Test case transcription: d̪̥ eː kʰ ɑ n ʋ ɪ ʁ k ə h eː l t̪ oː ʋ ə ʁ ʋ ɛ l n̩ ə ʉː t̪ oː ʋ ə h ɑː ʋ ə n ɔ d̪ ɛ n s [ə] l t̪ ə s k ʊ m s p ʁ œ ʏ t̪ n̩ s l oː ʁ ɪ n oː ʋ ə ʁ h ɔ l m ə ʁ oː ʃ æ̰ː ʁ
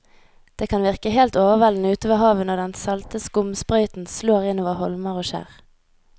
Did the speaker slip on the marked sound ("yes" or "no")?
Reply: yes